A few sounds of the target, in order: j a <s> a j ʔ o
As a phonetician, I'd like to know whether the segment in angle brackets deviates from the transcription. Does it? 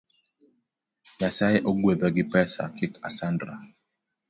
no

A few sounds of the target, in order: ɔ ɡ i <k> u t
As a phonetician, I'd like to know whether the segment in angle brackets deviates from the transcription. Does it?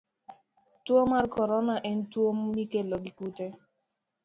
no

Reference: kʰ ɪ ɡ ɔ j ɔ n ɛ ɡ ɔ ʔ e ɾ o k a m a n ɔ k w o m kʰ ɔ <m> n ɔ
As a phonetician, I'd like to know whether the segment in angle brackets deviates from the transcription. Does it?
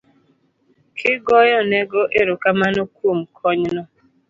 yes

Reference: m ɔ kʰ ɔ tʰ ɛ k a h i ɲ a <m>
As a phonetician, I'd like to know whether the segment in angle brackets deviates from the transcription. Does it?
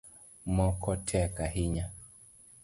yes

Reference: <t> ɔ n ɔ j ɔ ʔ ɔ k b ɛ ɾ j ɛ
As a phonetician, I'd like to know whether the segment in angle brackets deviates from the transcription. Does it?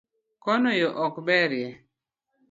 yes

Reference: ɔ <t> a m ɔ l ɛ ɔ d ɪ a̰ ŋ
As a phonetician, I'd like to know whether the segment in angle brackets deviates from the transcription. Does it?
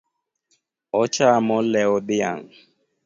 yes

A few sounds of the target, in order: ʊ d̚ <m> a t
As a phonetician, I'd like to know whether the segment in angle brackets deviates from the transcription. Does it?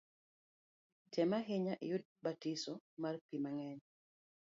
yes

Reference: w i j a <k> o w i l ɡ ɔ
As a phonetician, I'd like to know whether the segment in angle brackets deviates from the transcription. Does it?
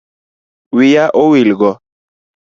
yes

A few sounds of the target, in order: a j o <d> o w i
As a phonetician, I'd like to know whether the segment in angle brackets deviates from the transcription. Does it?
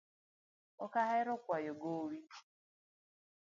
yes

